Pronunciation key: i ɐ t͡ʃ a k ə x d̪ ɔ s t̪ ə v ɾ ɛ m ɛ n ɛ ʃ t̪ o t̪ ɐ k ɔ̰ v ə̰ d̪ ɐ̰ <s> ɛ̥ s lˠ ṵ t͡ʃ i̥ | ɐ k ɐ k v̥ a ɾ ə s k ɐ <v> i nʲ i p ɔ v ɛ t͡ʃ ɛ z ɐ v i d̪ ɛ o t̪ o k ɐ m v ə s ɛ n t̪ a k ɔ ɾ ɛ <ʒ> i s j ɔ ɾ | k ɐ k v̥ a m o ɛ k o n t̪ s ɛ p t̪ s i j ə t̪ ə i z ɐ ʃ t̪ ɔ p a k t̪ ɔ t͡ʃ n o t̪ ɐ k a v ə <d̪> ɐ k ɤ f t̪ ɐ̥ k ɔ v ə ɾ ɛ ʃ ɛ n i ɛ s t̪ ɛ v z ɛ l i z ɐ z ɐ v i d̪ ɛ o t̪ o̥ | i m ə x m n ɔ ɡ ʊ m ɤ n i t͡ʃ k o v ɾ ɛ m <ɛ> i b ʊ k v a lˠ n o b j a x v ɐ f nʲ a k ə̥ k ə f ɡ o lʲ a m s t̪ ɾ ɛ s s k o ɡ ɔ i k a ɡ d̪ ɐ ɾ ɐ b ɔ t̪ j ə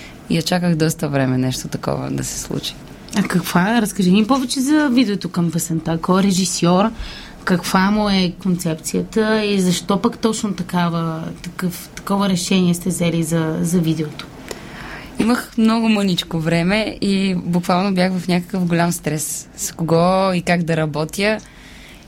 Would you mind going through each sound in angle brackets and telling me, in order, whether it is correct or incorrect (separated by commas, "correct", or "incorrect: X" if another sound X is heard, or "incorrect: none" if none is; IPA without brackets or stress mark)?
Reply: correct, incorrect: ʒ, correct, incorrect: t̪, correct